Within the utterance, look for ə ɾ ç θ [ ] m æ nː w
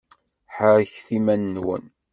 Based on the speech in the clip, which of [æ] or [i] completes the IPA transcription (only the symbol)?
i